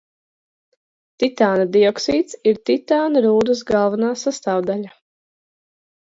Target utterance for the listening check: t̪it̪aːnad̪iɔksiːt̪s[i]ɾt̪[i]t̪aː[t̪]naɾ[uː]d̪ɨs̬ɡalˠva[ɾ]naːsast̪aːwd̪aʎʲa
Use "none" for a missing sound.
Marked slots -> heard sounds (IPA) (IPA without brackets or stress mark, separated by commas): i, i, none, uː, none